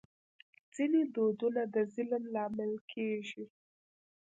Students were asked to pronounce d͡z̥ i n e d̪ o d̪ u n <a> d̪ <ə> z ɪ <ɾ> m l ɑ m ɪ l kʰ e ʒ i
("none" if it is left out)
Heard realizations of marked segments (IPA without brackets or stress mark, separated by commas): a, ə, l